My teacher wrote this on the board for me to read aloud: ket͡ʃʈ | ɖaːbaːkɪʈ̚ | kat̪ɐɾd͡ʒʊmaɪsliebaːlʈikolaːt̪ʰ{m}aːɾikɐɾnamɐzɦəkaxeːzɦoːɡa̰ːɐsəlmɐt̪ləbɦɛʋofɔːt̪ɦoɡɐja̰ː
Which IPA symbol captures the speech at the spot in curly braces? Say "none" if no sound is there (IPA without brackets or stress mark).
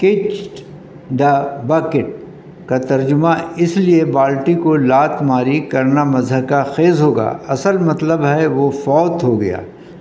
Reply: m